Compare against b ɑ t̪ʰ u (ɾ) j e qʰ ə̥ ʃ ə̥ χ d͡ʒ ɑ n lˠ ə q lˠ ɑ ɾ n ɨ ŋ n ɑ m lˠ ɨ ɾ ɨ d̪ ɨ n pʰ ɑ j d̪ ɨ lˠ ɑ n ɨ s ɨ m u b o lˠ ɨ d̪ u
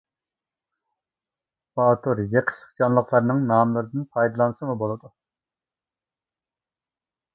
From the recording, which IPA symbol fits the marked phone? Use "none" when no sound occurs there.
ɾ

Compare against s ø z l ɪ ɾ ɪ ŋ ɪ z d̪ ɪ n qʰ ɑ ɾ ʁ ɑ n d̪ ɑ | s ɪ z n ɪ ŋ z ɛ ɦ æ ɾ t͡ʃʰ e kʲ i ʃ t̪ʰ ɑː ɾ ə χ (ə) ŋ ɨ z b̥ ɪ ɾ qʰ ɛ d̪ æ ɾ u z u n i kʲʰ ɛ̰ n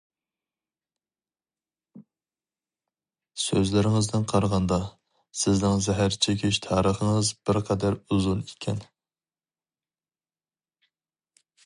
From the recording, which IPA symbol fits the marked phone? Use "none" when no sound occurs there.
ə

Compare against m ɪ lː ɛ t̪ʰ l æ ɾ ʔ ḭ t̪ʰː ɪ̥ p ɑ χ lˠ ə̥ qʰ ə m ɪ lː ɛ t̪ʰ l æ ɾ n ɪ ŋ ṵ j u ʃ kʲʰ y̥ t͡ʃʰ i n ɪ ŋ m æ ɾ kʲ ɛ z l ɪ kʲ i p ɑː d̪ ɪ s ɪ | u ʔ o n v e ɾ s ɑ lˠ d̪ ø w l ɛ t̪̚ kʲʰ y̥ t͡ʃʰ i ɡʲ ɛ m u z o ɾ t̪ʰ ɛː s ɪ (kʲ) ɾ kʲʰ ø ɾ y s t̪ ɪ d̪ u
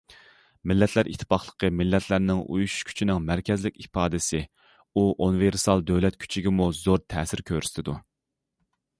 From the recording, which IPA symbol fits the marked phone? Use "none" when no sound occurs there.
none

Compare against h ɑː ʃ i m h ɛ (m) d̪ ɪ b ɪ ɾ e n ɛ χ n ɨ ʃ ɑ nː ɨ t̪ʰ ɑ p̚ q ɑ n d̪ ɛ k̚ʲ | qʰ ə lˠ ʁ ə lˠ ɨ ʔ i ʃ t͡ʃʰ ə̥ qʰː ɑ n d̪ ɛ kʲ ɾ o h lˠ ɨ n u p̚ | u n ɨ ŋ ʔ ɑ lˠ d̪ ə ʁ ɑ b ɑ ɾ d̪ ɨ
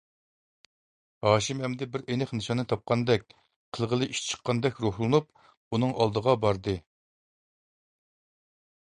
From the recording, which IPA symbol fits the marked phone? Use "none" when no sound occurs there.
m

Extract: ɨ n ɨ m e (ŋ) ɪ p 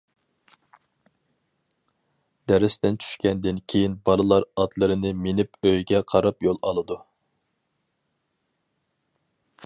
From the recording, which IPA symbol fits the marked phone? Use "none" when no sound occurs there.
n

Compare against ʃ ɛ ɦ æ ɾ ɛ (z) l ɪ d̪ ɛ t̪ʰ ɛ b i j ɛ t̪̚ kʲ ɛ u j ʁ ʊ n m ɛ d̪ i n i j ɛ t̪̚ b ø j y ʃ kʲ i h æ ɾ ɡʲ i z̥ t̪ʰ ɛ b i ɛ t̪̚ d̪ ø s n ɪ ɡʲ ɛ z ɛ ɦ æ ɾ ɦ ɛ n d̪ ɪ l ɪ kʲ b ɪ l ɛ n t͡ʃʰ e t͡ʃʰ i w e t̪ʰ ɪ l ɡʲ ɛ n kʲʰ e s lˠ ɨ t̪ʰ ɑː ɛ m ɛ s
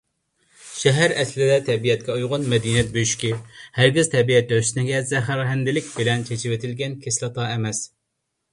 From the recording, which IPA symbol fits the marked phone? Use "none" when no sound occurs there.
s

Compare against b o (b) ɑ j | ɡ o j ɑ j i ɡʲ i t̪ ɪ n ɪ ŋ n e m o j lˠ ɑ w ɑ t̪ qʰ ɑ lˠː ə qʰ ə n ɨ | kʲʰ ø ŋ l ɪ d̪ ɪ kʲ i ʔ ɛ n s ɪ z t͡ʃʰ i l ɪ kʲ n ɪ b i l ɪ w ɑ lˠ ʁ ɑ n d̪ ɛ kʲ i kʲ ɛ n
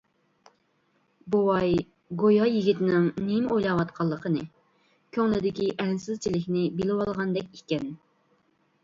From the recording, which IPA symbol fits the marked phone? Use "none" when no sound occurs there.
w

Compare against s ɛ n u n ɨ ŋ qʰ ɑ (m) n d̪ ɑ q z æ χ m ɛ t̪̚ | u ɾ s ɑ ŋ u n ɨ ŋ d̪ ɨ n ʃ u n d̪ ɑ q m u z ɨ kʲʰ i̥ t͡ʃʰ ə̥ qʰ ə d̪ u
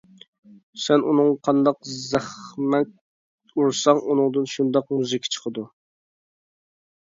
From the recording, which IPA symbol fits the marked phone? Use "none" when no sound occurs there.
none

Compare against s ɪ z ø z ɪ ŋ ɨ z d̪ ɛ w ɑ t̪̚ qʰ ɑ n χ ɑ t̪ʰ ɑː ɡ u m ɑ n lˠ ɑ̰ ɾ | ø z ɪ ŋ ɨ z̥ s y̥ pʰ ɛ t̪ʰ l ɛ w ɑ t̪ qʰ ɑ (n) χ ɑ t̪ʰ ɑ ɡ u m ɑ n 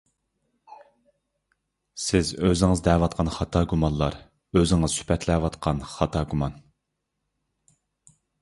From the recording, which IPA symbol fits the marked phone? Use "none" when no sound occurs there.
n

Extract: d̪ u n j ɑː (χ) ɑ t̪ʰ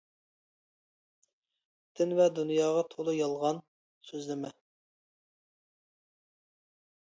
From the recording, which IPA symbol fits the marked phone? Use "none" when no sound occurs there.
ʁ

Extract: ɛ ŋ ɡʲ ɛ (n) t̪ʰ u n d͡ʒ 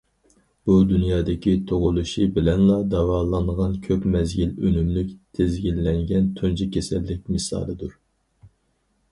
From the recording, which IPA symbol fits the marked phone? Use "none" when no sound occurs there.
n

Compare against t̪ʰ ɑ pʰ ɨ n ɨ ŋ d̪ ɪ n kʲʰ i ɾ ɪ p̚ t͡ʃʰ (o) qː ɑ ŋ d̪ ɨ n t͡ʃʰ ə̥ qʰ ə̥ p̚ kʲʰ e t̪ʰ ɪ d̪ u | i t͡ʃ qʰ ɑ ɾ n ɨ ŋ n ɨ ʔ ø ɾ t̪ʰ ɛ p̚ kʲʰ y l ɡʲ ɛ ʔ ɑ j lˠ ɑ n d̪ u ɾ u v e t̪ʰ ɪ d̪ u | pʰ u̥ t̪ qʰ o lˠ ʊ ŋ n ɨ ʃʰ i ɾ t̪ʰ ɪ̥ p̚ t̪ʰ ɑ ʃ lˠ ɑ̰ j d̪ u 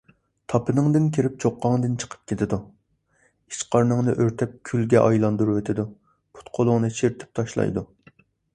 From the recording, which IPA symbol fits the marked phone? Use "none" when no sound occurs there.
o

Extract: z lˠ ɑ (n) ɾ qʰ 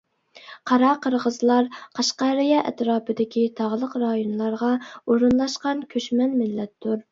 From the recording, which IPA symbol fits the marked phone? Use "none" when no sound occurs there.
none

